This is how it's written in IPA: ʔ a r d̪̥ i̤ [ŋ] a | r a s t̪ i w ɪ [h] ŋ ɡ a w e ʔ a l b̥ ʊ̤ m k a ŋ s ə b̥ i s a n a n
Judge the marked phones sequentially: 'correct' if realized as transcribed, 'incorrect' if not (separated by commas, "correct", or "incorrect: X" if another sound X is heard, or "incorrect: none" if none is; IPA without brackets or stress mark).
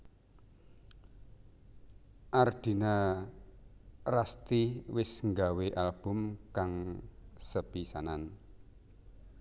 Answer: incorrect: n, incorrect: s